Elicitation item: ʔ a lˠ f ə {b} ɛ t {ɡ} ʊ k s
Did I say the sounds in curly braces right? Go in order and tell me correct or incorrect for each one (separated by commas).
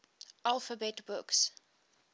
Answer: correct, incorrect